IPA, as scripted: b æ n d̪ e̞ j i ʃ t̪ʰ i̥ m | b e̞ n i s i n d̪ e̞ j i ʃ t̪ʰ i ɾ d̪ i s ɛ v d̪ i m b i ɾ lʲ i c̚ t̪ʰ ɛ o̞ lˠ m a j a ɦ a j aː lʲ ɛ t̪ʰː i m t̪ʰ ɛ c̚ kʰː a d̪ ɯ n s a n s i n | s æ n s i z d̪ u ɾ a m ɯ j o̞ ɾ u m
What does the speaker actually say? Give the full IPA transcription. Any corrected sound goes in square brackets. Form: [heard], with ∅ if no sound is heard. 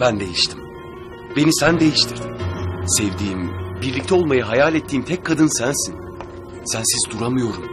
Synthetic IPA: b æ n d̪ e̞ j i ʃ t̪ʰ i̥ m | b e̞ n i s [æ] n d̪ e̞ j i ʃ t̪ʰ i ɾ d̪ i s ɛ v d̪ [iː] m b i ɾ lʲ i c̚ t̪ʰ ɛ o̞ lˠ m a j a ɦ a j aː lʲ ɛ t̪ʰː [iː] m t̪ʰ ɛ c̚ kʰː a d̪ ɯ n s [æ] n s i n | s æ n s i z d̪ u ɾ a m ɯ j o̞ ɾ u m